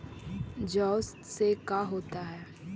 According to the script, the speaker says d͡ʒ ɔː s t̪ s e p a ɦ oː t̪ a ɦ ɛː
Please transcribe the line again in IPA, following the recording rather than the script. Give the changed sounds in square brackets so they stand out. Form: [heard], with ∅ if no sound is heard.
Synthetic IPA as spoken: d͡ʒ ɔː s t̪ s e [k] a ɦ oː t̪ a ɦ ɛː